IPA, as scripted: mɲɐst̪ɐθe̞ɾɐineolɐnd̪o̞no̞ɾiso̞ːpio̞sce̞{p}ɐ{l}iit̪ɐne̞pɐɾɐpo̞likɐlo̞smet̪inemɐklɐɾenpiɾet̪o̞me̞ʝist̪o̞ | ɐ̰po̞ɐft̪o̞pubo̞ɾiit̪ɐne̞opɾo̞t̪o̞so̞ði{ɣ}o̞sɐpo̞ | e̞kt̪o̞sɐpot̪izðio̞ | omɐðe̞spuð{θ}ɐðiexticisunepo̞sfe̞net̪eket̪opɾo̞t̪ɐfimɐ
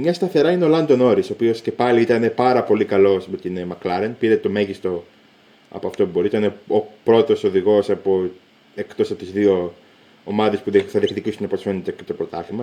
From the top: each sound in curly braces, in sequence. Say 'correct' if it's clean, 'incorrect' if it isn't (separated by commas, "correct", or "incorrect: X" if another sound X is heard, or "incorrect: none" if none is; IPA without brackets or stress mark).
correct, correct, correct, correct